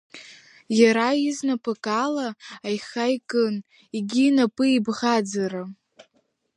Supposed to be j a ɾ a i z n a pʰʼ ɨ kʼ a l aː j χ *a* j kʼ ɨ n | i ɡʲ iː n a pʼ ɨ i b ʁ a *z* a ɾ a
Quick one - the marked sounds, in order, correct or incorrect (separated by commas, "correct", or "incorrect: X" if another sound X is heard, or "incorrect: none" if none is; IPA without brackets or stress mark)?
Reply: correct, incorrect: d͡z